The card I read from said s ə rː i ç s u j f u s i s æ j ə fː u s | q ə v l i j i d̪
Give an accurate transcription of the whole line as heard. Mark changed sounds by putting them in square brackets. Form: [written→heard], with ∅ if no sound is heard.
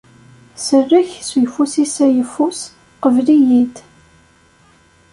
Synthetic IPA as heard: s ə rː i ç s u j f u s i s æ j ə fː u s | q ə v l i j i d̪